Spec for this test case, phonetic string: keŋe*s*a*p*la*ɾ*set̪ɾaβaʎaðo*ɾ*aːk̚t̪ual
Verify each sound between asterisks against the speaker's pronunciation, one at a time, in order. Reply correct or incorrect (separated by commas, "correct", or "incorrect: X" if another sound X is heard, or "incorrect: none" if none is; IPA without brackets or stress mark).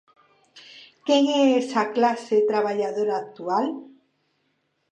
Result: correct, incorrect: k, incorrect: none, correct